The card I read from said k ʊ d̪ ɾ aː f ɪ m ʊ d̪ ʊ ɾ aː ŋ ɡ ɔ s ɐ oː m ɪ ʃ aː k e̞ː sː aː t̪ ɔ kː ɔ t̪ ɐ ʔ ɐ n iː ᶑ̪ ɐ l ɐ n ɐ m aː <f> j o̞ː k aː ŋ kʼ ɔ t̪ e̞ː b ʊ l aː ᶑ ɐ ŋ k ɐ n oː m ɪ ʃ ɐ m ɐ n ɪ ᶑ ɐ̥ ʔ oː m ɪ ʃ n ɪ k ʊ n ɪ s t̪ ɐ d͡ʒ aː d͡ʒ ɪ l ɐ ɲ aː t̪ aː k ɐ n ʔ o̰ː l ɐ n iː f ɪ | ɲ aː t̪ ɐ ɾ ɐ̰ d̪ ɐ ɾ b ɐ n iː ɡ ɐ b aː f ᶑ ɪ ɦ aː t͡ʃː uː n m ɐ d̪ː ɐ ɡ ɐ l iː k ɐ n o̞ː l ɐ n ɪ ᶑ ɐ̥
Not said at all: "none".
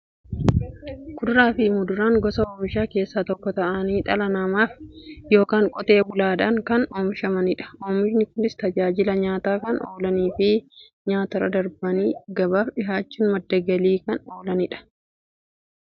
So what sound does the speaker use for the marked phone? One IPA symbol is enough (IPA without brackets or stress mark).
f